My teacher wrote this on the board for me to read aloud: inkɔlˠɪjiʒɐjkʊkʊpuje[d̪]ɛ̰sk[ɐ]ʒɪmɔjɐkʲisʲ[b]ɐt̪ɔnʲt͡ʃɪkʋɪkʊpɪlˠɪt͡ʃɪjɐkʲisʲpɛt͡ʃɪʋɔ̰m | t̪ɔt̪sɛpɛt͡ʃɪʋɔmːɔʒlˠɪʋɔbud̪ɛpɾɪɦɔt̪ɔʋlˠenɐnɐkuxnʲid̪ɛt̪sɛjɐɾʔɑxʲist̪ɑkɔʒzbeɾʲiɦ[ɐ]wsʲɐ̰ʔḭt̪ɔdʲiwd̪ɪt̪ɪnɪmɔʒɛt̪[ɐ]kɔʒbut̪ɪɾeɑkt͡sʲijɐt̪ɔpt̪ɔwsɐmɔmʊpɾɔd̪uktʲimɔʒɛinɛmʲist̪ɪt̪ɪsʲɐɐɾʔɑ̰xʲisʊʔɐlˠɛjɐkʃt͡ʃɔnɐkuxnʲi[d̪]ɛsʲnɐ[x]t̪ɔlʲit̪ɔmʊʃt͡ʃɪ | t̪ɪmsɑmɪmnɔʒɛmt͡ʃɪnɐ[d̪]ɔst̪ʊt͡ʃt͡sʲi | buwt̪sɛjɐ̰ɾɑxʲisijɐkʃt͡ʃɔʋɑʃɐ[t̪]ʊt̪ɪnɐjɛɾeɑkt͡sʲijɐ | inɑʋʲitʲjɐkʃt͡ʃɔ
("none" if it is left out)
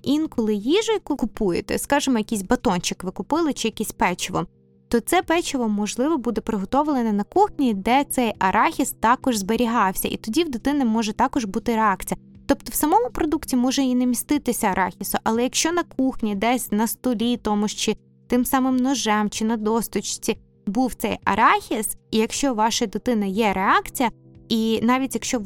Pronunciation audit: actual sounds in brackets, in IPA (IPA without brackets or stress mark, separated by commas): t̪, ɑ, b, ɑ, ɑ, d̪, s, d̪, d̪